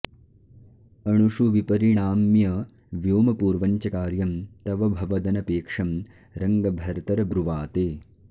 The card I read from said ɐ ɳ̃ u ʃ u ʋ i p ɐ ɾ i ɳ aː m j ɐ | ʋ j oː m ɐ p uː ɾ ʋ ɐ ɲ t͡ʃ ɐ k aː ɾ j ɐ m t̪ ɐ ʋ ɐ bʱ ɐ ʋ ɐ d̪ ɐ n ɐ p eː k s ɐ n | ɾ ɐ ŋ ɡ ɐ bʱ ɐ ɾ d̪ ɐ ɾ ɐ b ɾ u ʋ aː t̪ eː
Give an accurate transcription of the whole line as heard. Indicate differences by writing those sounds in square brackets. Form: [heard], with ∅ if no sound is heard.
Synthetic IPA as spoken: ɐ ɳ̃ u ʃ u ʋ i p ɐ ɾ i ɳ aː m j ɐ | ʋ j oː m ɐ p uː ɾ ʋ ɐ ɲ t͡ʃ ɐ k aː ɾ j ɐ m t̪ ɐ ʋ ɐ bʱ ɐ ʋ ɐ d̪ ɐ n ɐ p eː k [ʂ] ɐ [m] | ɾ ɐ ŋ ɡ ɐ bʱ ɐ ɾ [t̪] ɐ ɾ ɐ b ɾ u ʋ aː t̪ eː